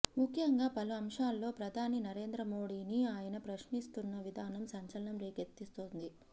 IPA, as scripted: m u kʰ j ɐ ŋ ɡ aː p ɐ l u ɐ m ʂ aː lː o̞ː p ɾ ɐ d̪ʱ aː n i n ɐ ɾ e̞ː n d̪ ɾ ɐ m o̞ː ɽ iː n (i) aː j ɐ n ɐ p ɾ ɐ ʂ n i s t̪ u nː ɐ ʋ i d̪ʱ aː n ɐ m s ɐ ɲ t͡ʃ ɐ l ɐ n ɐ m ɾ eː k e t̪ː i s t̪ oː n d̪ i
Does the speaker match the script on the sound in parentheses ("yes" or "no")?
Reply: yes